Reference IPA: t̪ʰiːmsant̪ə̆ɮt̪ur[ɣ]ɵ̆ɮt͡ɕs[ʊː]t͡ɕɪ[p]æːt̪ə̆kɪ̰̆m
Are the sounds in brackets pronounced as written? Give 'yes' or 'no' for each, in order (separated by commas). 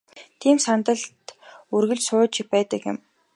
yes, yes, yes